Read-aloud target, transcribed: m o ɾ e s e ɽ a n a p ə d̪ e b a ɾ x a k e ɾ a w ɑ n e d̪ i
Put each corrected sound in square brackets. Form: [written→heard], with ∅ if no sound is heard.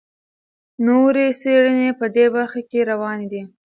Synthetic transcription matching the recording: [m→n] o ɾ e s e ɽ [a→ə] n [a→e] p ə d̪ e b a ɾ x a k e ɾ a w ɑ n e d̪ i